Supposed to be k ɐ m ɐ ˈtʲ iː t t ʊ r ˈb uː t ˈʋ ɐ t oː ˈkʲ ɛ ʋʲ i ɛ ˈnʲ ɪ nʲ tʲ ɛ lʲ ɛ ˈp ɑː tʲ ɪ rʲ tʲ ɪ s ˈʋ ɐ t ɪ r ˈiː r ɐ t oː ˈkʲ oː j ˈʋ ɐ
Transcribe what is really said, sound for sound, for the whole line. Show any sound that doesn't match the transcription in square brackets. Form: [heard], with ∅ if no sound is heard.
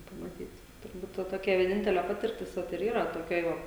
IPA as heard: [p] ɐ m ɐ ˈtʲ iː t t ʊ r ˈb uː t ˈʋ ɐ t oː ˈkʲ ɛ ʋʲ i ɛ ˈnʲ ɪ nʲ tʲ ɛ lʲ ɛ ˈp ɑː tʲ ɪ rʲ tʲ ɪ s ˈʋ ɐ t ɪ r ˈiː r ɐ t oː ˈkʲ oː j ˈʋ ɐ

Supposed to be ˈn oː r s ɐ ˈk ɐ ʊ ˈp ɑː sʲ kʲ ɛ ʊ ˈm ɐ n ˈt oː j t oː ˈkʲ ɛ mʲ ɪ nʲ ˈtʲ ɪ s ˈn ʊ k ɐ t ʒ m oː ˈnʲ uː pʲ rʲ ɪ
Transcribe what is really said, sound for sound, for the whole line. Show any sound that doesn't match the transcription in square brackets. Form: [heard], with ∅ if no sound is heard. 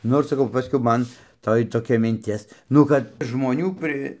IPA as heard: ˈn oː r s ɐ ˈk ɐ ʊ ˈp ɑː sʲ kʲ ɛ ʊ ˈm ɐ n ˈt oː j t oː ˈkʲ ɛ mʲ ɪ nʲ ˈtʲ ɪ s ˈn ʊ k ɐ t ʒ m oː ˈnʲ uː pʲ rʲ ɪ

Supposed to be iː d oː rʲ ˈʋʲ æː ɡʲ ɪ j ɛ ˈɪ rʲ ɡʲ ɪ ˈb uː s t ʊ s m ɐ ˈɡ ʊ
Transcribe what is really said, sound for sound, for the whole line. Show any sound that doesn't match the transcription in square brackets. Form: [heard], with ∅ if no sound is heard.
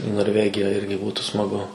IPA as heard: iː [n] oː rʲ ˈʋʲ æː ɡʲ ɪ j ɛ ˈɪ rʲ ɡʲ ɪ ˈb uː [∅] t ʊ s m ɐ ˈɡ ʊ

